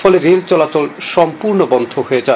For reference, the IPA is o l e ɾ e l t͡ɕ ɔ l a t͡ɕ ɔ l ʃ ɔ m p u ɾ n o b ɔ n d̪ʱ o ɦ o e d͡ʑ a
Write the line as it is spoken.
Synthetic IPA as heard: ɔ l e ɾ e l t͡ɕ ɔ l a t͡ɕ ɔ l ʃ ɔ m p u ɾ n o b ɔ n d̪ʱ o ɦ o e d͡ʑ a